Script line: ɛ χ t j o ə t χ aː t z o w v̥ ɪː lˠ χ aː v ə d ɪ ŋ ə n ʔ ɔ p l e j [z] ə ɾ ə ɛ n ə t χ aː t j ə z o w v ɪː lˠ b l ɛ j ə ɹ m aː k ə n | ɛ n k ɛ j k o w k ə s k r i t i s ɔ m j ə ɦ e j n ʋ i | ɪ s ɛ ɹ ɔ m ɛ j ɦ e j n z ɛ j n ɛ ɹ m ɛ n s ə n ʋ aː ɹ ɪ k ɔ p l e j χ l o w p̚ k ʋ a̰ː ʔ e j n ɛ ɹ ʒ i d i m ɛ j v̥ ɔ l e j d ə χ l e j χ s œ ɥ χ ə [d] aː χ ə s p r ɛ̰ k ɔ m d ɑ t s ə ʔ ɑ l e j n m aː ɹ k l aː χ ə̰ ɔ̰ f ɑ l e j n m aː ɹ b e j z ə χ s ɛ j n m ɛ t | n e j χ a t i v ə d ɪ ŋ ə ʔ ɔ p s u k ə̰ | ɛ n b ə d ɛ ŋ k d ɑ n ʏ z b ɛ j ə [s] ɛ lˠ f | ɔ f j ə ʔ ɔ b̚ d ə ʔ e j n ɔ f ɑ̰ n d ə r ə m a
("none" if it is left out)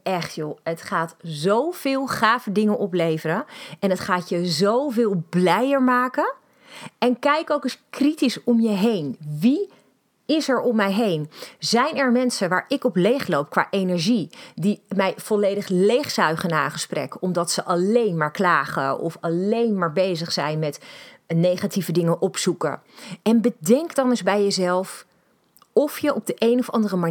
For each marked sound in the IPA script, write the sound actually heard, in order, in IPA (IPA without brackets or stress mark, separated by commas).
v, n, z